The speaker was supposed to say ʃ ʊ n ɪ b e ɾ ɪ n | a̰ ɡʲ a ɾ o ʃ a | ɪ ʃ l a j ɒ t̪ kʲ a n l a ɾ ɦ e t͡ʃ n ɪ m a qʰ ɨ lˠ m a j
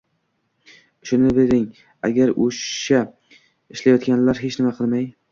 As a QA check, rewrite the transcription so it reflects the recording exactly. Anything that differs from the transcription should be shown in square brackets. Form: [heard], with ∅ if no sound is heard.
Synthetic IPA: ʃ ʊ n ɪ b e ɾ ɪ [ŋ] | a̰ ɡʲ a ɾ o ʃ a | ɪ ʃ l a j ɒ t̪ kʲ a n l a ɾ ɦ e t͡ʃ n ɪ m a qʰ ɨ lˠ m a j